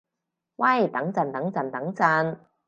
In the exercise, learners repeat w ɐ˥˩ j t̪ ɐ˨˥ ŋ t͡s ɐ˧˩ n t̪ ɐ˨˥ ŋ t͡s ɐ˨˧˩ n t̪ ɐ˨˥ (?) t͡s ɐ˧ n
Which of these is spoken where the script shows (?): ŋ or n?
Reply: ŋ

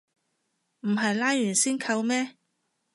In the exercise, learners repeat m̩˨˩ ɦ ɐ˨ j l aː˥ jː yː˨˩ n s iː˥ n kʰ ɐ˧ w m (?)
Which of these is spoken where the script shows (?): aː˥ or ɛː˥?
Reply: ɛː˥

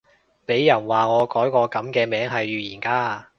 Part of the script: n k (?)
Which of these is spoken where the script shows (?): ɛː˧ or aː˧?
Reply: aː˧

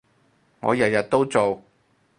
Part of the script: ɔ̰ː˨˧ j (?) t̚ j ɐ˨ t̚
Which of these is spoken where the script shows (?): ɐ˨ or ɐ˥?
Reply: ɐ˨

